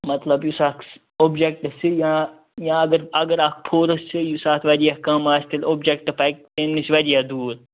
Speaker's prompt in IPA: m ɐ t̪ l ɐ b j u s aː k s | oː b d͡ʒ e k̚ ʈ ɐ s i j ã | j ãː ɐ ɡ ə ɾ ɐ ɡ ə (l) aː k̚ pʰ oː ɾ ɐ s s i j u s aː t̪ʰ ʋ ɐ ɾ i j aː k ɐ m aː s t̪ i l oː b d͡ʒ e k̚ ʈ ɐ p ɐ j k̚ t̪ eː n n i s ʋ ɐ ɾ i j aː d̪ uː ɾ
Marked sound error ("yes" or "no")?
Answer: yes